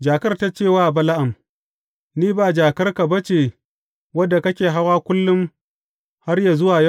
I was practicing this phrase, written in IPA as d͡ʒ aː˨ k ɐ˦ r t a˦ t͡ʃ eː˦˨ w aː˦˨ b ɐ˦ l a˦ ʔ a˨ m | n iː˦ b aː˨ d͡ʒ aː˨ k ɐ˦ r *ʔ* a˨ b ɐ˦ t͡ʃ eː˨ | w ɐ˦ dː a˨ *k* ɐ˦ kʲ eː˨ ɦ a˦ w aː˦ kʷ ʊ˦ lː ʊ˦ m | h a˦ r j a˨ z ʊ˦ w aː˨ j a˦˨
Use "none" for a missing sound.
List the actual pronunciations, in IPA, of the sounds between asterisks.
k, k

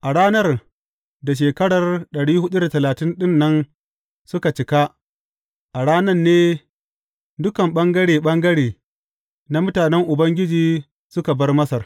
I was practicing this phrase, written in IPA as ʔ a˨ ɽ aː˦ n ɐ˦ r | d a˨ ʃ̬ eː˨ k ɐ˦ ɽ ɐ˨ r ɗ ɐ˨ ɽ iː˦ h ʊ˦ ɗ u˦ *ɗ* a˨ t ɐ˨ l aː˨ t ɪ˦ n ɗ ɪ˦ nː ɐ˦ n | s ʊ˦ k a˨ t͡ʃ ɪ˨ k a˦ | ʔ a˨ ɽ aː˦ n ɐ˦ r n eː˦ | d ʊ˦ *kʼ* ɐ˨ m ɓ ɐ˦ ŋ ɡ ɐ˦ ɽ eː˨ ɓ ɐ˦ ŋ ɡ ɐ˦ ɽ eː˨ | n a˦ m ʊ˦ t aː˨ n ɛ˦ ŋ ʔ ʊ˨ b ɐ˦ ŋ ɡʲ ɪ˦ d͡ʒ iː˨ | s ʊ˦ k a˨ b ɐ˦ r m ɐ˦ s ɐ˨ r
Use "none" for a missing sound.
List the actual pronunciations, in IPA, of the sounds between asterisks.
d, k

